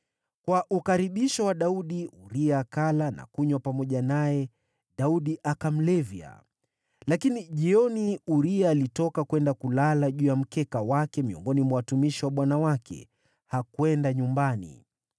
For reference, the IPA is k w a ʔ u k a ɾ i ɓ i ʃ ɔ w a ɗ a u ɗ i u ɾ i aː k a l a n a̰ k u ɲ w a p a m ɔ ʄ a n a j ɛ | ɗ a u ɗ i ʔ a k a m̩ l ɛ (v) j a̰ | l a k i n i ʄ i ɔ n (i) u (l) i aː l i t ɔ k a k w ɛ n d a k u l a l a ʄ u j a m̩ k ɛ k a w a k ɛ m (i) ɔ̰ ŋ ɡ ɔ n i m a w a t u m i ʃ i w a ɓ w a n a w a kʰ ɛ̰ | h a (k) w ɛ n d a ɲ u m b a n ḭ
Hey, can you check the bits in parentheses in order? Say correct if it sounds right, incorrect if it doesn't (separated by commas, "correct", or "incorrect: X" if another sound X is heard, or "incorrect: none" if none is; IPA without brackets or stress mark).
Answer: correct, correct, incorrect: ɾ, correct, correct